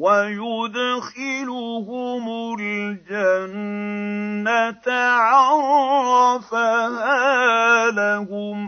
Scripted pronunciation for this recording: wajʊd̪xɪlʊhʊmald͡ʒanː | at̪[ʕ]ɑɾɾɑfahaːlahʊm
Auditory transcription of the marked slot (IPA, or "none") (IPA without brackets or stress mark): ʕ